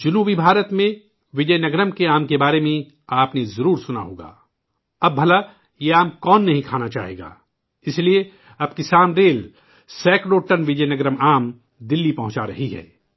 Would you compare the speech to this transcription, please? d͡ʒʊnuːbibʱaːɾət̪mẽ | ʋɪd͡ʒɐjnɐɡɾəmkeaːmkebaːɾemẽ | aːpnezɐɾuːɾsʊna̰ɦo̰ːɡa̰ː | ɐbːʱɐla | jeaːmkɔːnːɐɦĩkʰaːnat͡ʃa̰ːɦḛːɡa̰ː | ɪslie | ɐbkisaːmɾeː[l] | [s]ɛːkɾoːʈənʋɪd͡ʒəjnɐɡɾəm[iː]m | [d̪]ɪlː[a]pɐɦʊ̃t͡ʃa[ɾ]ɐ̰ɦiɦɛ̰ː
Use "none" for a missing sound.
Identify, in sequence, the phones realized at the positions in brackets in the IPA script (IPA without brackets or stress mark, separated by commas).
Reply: l, s, aː, d̪, i, ɾ